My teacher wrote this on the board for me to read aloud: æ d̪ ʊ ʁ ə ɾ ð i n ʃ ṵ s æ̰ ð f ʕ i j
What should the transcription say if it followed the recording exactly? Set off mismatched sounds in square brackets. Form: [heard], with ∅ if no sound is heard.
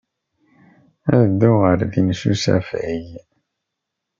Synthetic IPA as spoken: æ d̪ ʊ ʁ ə ɾ ð i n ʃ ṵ s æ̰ [∅] f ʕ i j